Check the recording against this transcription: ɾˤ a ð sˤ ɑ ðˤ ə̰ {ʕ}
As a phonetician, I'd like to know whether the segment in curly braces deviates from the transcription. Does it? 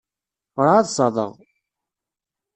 yes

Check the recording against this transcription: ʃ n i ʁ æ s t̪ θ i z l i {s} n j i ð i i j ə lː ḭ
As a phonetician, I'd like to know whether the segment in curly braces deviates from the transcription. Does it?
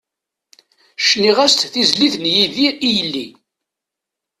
yes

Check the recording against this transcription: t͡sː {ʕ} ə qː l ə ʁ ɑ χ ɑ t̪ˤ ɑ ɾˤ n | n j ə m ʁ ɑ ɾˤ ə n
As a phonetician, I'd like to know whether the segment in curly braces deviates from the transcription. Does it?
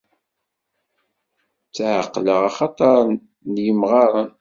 no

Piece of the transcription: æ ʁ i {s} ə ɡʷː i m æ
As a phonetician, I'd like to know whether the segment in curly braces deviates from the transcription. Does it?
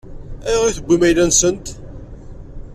yes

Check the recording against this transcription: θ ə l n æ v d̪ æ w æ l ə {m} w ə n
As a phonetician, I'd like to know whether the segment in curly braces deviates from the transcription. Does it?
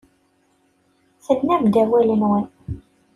yes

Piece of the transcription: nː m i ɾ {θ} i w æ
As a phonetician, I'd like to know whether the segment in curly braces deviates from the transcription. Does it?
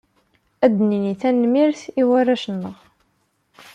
no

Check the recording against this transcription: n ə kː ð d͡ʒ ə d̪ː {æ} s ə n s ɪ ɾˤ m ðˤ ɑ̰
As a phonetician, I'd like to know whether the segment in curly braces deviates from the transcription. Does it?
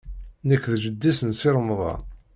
yes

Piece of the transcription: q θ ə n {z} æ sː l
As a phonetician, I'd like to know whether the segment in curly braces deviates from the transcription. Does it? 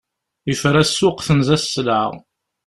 no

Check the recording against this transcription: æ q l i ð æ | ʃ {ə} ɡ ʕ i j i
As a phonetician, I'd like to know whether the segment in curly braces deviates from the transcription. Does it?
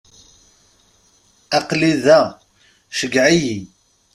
no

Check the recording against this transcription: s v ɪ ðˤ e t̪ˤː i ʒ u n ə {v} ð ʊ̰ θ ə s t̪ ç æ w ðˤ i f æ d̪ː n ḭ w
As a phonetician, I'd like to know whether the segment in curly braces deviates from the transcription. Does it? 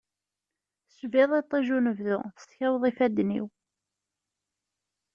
no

